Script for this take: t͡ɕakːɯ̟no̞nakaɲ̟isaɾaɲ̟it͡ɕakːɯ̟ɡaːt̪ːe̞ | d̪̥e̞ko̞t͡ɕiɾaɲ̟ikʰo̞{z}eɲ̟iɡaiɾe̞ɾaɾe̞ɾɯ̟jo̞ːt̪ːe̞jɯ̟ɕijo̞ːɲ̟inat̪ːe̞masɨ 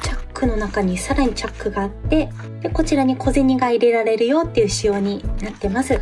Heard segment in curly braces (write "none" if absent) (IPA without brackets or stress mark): z